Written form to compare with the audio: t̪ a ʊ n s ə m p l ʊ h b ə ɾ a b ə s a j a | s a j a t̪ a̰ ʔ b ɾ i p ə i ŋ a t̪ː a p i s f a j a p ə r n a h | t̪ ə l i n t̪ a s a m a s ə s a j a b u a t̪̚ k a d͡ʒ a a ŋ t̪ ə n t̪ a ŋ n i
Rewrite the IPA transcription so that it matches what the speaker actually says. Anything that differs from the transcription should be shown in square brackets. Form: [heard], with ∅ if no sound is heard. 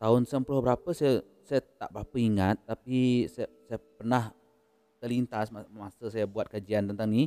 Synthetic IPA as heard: t̪ a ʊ n s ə m p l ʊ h b ə ɾ a [p] ə s a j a | s a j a t̪ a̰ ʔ b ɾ [a] p ə i ŋ a t̪ː a p i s [s] a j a p ə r n a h | t̪ ə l i n t̪ a s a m a s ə s a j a b u a t̪̚ k a d͡ʒ [i] a [n] t̪ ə n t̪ a ŋ n i